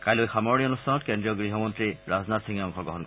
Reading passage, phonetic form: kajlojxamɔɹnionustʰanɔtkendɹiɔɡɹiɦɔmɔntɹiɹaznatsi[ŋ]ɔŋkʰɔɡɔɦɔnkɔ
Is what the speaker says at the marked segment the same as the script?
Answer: yes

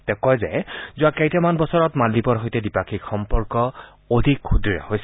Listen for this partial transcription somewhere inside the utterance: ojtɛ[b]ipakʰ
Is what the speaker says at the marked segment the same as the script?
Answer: no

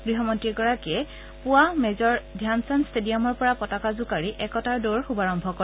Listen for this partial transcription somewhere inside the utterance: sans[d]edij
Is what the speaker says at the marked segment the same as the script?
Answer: no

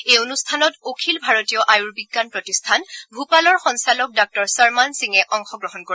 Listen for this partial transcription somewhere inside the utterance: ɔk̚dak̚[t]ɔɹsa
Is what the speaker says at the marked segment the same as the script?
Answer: yes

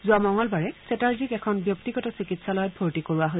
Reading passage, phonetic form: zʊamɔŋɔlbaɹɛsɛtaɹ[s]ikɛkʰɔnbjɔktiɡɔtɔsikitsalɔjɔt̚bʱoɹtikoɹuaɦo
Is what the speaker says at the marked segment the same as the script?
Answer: no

